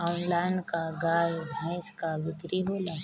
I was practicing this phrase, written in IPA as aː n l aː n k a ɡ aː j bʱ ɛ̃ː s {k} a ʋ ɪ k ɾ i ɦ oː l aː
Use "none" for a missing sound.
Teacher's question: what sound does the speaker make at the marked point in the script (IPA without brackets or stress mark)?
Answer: k